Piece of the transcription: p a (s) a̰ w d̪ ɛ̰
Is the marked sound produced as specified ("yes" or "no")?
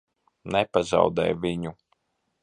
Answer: no